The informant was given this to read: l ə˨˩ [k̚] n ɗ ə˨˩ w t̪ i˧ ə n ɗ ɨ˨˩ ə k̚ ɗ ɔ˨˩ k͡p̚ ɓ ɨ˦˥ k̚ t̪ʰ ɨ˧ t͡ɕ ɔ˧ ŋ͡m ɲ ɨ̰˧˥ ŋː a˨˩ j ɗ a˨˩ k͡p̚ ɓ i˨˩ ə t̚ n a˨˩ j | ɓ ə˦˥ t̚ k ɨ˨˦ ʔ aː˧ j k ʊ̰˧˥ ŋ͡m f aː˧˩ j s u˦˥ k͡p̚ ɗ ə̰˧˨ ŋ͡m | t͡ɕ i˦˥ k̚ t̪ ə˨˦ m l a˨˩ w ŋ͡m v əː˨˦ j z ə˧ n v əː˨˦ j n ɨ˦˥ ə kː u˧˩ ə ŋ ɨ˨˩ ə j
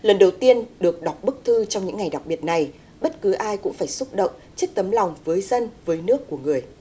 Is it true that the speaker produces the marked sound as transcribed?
no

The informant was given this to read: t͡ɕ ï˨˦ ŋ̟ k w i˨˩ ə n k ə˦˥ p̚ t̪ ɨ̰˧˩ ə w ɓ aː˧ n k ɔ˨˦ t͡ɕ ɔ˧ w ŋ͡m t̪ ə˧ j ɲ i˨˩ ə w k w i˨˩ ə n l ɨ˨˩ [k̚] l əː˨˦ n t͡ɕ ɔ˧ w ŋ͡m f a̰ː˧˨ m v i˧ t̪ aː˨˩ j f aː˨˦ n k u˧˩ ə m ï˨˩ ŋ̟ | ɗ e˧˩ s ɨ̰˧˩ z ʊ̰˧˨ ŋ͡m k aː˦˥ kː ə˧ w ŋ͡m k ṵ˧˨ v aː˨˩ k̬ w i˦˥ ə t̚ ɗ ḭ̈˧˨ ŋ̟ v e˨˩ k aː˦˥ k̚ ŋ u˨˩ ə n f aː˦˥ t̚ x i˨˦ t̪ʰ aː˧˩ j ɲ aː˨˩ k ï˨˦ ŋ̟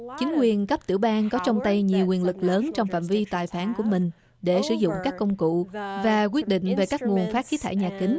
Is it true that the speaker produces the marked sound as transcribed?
yes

